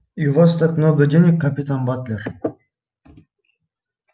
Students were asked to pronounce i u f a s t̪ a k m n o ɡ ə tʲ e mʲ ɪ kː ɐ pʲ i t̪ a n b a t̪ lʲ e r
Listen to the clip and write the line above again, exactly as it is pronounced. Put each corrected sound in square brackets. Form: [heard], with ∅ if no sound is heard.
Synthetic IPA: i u [v] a s t̪ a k m n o ɡ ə [dʲ] e [nʲ] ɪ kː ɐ pʲ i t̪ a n b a t̪ lʲ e r